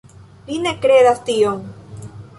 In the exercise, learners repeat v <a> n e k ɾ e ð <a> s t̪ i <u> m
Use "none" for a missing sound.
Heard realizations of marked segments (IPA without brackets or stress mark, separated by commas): i, a, o